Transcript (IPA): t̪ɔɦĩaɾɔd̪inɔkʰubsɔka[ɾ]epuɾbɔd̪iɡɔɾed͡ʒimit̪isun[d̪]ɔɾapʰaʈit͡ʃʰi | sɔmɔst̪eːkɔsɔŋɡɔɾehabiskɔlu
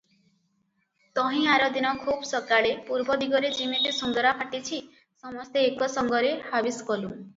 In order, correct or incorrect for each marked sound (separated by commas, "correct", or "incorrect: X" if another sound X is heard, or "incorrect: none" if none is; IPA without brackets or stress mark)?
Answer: incorrect: ɭ, correct